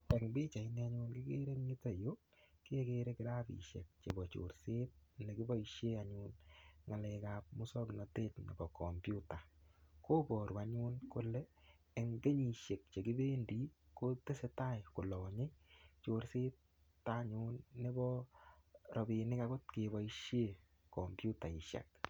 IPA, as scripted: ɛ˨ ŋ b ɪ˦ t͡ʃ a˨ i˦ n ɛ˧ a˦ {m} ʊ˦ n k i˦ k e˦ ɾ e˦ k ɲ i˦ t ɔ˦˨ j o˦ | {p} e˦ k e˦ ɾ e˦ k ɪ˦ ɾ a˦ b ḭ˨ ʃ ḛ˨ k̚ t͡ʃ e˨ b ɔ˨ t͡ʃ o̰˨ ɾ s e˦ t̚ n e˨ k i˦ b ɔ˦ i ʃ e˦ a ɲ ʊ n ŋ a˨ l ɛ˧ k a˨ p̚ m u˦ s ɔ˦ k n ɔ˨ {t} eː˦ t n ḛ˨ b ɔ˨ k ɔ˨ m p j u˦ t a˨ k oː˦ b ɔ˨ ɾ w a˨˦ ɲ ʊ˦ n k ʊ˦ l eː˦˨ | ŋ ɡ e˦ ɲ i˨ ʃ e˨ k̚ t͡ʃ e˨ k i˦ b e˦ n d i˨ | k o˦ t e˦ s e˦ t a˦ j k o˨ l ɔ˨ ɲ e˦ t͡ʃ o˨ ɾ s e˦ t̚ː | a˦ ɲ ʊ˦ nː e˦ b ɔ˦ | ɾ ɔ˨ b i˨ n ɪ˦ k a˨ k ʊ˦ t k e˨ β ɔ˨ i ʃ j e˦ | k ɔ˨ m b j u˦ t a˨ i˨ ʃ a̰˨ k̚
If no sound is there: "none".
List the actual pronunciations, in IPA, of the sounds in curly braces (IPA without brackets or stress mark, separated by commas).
ɲ, k, t